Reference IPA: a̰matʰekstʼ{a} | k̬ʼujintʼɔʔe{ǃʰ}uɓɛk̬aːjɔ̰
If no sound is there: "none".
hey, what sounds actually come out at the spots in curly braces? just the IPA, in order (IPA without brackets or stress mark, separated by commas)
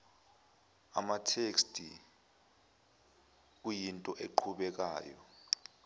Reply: i, ǃʰ